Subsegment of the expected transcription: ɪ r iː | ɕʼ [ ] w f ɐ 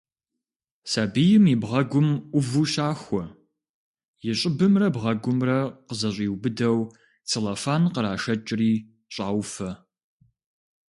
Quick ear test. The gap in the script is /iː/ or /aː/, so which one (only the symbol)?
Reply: aː